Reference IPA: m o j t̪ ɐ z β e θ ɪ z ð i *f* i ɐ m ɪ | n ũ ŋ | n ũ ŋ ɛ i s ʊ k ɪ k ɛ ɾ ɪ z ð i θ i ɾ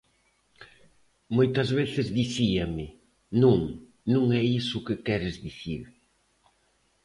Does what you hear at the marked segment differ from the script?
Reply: yes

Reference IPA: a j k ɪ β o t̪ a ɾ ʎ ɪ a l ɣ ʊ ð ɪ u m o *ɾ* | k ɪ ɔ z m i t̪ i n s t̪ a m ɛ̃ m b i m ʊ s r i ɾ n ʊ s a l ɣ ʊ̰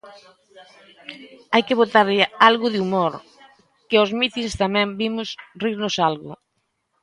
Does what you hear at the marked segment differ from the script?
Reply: no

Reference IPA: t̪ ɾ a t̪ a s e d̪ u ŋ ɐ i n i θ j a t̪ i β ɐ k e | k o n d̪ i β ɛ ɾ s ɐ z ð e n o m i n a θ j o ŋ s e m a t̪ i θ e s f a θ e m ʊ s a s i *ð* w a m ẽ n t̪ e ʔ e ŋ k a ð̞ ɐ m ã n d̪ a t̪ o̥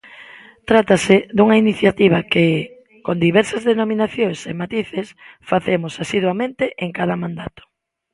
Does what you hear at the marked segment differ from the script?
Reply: no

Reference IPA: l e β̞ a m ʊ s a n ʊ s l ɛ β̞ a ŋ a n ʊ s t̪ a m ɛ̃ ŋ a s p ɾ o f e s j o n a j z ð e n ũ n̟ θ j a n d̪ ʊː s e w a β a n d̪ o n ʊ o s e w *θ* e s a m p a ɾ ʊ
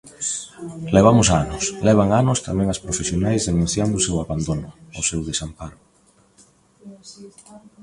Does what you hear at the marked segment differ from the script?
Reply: yes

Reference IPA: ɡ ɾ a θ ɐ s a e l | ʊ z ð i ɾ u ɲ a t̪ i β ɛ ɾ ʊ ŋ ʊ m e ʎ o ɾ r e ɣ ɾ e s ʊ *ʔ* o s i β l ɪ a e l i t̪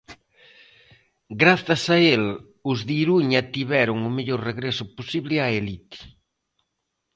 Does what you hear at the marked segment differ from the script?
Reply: yes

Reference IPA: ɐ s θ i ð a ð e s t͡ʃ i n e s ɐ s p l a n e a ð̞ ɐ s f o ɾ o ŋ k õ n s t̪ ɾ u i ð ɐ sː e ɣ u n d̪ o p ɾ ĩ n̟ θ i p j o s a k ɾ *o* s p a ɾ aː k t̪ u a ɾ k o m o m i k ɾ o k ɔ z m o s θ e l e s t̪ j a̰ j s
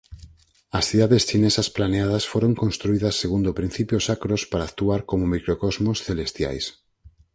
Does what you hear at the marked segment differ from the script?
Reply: no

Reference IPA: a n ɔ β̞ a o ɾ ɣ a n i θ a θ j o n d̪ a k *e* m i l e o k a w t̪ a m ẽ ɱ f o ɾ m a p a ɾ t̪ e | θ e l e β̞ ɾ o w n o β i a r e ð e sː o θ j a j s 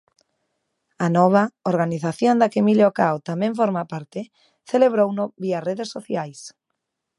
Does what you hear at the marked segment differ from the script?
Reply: no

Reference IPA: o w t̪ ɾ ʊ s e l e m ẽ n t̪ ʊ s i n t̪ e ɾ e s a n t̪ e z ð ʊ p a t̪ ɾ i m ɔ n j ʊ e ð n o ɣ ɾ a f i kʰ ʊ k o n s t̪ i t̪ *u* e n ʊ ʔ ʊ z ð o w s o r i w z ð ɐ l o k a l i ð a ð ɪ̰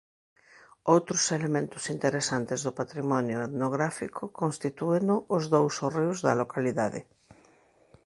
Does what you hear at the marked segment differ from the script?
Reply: no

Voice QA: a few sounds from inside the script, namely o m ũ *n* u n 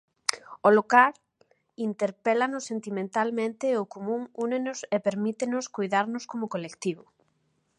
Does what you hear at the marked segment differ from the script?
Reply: yes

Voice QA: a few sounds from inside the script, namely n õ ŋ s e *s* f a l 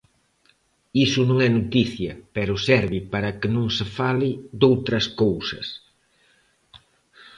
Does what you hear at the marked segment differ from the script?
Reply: yes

